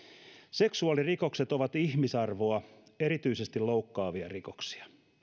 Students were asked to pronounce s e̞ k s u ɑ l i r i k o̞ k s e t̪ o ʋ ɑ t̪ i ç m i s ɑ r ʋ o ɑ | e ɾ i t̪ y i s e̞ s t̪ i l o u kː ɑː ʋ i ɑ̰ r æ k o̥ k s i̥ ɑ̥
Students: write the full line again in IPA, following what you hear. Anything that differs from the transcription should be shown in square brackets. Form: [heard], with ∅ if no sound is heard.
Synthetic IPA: s e̞ k s u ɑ l i r i k o̞ k s e t̪ o ʋ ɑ t̪ i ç m i s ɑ r ʋ o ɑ | e ɾ i t̪ y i s e̞ s t̪ i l o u kː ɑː ʋ i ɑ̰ r [i] k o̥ k s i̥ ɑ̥